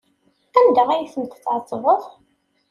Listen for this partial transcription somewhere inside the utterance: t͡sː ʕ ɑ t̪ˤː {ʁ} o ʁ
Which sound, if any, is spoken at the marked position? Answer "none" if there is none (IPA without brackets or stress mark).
v